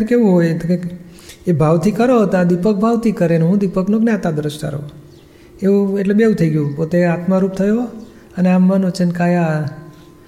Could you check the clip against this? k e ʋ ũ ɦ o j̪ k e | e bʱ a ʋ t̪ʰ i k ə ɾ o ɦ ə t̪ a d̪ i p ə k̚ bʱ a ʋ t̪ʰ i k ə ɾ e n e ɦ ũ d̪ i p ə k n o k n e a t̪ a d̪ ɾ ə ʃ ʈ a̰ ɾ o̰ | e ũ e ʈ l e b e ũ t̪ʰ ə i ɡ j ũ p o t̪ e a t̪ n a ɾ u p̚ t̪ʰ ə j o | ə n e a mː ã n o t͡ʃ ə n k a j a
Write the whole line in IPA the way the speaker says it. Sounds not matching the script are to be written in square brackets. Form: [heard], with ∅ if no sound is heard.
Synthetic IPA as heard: k e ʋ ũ ɦ o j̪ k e | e bʱ a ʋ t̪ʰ i k ə ɾ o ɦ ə t̪ a d̪ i p ə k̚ bʱ a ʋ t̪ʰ i k ə ɾ e n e ɦ ũ d̪ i p ə k n o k n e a t̪ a d̪ ɾ ə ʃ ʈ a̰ ɾ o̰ | e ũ e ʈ l e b e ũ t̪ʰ ə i ɡ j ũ p o t̪ e a t̪ [m] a ɾ u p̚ t̪ʰ ə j o | ə n e a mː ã n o t͡ʃ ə n k a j a